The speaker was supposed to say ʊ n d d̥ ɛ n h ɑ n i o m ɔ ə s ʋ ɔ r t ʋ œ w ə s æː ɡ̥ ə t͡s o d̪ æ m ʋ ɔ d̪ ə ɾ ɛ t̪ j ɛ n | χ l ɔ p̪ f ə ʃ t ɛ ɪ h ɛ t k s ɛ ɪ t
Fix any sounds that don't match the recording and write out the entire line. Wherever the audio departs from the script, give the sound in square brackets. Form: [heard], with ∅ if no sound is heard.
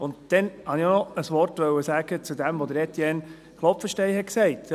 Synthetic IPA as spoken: ʊ n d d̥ ɛ n h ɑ n i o [n] ɔ ə s ʋ ɔ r t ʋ œ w ə s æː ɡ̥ ə t͡s [u] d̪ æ m ʋ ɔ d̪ ə ɾ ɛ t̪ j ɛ n | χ l ɔ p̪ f ə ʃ t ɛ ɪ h ɛ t k s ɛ ɪ t